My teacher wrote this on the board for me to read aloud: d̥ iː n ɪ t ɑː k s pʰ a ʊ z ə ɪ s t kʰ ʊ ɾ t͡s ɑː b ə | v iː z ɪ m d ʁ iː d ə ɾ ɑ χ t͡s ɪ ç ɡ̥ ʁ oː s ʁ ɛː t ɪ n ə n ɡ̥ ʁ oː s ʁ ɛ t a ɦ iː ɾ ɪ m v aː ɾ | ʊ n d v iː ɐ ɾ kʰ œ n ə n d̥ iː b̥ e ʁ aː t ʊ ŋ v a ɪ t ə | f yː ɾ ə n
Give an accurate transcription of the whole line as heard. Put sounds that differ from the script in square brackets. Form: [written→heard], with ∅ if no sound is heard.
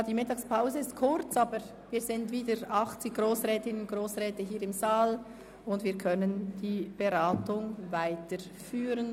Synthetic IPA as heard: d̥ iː [n→m] ɪ t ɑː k s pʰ a ʊ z ə ɪ s t kʰ ʊ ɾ t͡s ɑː b ə | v iː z ɪ [m→n] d [ʁ→v] iː d ə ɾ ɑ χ t͡s ɪ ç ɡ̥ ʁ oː s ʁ ɛː t ɪ n ə n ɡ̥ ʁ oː s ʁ [ɛ→ɛː] t [a→ə] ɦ iː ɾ ɪ m [v→z] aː [ɾ→l] | ʊ n d v iː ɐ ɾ kʰ œ n ə n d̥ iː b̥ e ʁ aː t ʊ ŋ v a ɪ t ə | f yː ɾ ə n